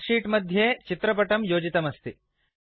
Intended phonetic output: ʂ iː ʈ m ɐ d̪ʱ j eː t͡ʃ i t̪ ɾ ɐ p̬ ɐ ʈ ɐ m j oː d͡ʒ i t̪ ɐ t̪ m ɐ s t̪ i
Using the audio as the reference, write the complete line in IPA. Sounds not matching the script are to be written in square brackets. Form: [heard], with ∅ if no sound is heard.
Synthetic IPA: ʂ iː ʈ m ɐ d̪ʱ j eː t͡ʃ i t̪ ɾ ɐ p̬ ɐ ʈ ɐ m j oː d͡ʒ i t̪ ɐ [∅] m ɐ s t̪ i